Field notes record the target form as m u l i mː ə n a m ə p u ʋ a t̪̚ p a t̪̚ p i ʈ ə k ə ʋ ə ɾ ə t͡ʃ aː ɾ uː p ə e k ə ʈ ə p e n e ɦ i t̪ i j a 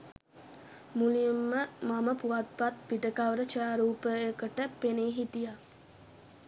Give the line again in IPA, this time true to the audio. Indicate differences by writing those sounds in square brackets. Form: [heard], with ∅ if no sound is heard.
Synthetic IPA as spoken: m u l i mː ə [m] a m ə p u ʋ a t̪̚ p a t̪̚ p i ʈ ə k [a] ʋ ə ɾ ə t͡ʃ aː ɾ uː p ə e k ə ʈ ə p e n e ɦ i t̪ i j a